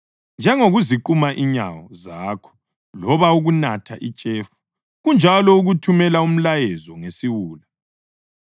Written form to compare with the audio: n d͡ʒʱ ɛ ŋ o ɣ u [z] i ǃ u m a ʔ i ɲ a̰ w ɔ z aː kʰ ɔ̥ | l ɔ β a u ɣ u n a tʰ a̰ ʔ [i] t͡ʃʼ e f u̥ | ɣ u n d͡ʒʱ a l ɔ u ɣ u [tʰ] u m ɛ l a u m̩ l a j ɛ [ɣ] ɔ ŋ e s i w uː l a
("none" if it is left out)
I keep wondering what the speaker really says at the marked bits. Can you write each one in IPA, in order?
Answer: z, i, tʰ, z

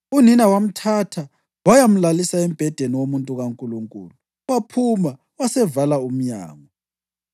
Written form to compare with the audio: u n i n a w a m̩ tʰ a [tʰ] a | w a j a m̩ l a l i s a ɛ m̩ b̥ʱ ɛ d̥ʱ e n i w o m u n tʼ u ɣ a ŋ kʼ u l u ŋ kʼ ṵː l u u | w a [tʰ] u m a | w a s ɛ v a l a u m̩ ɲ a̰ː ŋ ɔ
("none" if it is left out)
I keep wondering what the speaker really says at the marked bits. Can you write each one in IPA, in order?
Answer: tʰ, pʰ

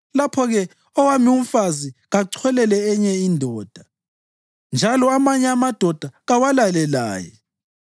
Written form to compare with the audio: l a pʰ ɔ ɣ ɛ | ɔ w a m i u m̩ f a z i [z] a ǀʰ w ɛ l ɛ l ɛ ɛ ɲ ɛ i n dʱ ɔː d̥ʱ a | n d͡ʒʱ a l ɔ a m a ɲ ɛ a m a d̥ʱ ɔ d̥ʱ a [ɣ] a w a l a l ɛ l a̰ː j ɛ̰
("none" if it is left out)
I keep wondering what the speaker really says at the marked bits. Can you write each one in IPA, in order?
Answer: ɣ, ɣ

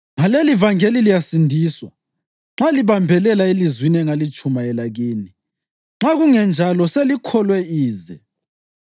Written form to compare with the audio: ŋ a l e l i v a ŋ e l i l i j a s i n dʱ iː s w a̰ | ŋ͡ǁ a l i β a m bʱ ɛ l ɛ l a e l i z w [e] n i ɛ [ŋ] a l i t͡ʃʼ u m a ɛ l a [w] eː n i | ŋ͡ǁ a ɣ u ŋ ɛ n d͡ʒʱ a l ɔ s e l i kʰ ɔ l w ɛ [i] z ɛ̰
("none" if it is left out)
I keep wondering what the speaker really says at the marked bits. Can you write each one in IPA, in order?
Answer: i, ŋ, ɣ, iː

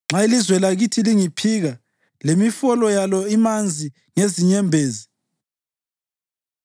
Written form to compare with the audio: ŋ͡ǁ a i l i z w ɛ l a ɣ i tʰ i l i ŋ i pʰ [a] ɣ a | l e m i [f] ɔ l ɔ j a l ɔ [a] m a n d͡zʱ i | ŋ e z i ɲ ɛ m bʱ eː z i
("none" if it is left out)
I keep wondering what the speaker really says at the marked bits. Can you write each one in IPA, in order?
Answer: i, f, i

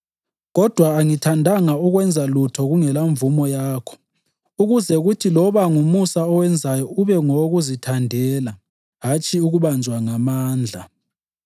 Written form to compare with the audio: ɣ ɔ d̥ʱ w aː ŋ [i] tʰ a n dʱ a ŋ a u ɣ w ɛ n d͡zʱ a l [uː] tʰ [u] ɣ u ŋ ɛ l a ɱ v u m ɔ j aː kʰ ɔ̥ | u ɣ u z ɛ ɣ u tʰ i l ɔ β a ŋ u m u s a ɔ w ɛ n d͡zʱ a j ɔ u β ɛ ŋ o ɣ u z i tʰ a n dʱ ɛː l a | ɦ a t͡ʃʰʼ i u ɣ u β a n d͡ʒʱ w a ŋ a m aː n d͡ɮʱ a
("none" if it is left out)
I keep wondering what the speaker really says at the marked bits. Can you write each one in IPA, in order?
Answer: i, u, ɔ

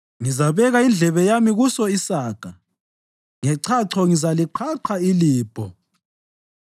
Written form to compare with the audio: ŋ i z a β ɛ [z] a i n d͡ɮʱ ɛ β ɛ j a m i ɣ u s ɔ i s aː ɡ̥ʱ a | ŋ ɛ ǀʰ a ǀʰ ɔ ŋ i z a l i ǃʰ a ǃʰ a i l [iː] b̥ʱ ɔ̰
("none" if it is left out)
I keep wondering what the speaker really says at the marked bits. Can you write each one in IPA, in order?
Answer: ɣ, iː

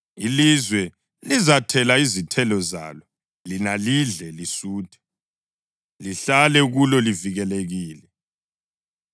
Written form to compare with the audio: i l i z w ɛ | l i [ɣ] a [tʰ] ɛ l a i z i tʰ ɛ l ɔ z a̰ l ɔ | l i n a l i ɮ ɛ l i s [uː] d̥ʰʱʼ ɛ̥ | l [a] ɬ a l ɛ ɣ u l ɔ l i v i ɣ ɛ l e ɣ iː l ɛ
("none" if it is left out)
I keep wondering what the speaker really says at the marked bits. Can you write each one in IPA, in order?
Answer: z, tʰ, uː, i

